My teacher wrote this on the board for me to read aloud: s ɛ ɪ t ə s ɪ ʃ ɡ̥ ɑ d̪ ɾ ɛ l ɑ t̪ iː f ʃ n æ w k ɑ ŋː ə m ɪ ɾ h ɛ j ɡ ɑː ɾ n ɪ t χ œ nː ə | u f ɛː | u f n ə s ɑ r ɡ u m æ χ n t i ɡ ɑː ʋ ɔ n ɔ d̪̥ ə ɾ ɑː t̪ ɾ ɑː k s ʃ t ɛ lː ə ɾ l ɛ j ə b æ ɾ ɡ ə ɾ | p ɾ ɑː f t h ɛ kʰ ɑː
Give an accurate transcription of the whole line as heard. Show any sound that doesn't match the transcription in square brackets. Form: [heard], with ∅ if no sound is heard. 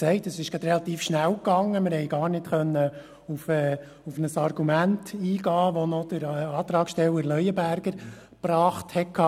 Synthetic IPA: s ɛ ɪ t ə s ɪ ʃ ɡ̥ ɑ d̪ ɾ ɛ l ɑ t̪ iː f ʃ n æ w k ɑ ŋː ə m ɪ ɾ h ɛ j ɡ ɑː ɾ n ɪ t χ œ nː ə | u f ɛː | u f n ə s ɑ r ɡ u m æ [∅] n t [iː] ɡ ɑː ʋ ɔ n ɔ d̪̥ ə ɾ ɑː t̪ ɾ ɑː k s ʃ t ɛ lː ə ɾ l [œ] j ə b æ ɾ ɡ ə ɾ | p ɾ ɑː [χ] t h ɛ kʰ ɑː